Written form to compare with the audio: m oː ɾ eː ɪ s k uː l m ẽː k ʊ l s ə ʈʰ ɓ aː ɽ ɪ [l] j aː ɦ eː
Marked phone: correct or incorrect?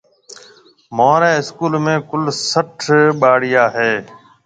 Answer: incorrect